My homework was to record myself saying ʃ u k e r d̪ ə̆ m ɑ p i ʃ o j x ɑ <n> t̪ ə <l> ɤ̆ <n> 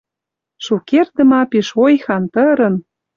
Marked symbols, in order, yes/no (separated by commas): yes, no, yes